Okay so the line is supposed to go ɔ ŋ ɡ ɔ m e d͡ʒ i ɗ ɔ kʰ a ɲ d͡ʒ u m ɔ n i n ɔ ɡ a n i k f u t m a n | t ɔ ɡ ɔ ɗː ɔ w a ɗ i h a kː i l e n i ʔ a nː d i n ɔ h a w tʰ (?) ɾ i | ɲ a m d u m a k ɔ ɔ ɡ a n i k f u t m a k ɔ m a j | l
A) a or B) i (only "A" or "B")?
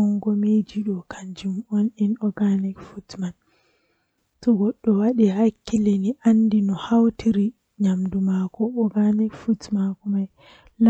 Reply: B